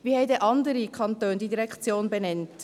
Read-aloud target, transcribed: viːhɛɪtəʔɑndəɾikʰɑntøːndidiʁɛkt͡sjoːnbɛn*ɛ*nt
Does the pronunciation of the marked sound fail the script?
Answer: no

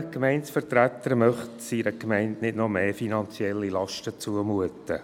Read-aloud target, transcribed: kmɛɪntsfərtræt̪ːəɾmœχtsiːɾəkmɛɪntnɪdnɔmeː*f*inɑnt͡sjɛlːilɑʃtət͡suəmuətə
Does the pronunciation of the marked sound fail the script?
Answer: no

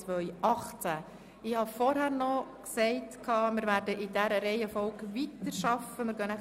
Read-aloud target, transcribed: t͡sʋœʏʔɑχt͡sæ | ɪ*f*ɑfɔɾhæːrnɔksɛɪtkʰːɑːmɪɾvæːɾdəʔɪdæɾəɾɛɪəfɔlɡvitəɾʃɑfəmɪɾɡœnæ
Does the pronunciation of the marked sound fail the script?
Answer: yes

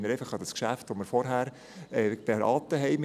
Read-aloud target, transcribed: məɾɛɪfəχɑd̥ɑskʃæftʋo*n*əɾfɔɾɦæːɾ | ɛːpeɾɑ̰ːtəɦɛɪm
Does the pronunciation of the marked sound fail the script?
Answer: yes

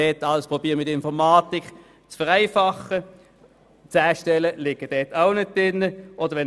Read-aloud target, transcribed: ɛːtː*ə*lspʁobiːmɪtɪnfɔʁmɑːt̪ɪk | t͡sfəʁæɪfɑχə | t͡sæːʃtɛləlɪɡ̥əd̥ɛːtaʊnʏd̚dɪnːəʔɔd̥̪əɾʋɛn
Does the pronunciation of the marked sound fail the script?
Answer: yes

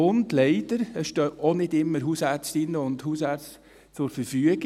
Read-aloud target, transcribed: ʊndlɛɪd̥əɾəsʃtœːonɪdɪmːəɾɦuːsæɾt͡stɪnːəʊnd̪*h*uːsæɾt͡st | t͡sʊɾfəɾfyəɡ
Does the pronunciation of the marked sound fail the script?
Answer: no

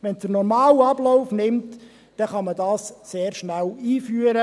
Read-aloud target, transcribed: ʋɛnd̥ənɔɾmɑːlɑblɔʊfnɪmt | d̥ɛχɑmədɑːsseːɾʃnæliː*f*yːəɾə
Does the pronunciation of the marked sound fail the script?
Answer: no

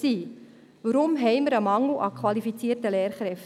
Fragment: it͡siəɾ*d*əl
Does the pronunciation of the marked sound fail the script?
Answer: yes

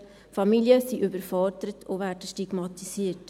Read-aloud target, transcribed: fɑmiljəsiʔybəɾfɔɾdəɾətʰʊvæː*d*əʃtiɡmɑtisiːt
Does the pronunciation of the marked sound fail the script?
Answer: no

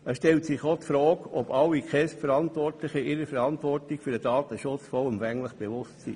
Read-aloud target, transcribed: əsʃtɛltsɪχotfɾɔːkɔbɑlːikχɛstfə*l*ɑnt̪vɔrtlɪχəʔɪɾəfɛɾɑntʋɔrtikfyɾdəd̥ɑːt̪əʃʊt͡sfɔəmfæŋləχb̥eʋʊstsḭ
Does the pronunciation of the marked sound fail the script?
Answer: yes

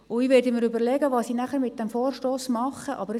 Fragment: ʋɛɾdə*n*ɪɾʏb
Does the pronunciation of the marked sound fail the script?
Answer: yes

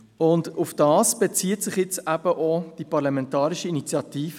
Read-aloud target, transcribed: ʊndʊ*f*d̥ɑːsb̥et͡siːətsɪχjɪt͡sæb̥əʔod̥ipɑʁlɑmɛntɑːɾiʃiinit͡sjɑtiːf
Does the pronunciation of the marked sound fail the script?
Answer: no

